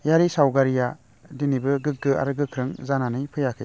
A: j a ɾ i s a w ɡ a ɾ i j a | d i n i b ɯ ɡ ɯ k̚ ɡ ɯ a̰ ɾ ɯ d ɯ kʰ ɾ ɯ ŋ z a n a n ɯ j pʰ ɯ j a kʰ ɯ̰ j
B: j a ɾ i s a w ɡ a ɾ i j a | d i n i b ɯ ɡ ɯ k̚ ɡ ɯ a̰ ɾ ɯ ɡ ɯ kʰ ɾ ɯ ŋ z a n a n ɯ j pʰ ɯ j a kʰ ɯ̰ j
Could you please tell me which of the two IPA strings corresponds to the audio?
B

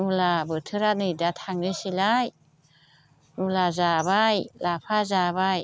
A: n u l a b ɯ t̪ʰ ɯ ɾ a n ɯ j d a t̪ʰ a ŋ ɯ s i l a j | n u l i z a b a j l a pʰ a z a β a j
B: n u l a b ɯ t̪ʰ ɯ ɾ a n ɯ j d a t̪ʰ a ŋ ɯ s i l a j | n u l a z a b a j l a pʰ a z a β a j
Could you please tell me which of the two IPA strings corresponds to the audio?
B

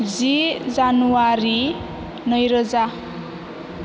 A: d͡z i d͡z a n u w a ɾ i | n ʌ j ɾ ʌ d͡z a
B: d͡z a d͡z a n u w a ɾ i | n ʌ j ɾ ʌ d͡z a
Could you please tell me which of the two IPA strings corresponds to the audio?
A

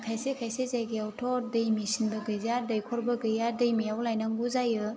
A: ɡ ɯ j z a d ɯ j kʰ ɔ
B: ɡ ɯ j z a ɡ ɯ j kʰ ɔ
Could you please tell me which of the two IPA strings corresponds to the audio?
A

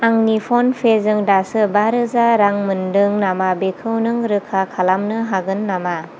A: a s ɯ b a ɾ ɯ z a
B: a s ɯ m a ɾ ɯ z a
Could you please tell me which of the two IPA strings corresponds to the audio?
A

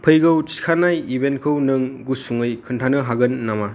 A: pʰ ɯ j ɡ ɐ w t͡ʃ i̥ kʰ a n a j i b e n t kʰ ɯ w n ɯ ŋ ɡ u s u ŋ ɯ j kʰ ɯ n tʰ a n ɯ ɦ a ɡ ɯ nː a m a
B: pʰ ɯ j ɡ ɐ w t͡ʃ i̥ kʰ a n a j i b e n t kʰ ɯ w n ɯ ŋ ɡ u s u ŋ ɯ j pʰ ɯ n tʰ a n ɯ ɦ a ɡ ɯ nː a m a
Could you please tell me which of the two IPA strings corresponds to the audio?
A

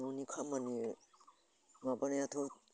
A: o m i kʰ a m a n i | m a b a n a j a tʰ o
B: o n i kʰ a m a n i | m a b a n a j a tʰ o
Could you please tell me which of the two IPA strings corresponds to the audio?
B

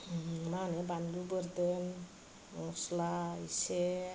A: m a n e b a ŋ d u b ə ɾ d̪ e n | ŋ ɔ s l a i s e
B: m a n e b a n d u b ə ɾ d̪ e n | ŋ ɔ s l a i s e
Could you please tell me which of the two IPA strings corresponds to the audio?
B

